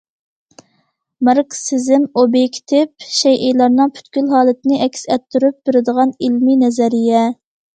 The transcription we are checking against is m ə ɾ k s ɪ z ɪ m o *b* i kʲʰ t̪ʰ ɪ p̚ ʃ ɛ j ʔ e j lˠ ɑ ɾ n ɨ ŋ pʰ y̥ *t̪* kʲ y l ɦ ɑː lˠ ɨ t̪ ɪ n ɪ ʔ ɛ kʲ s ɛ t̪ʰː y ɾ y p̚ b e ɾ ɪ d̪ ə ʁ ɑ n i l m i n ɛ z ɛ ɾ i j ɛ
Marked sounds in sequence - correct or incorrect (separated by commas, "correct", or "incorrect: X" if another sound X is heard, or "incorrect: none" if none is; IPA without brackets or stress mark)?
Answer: correct, correct